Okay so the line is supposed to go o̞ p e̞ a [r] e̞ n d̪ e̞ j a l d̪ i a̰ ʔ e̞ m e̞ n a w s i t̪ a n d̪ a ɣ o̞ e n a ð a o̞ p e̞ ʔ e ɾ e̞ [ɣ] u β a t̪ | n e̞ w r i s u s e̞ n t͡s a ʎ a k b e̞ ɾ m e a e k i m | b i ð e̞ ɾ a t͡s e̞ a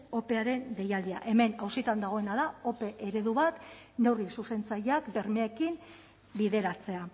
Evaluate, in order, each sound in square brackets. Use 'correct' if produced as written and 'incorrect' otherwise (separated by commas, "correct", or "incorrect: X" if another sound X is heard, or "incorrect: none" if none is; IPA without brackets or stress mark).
incorrect: ɾ, incorrect: ð